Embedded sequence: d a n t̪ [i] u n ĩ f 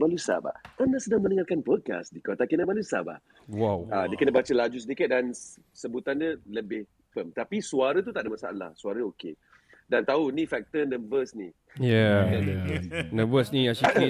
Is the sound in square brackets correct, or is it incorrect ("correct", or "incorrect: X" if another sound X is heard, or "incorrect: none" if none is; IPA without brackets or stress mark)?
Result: incorrect: a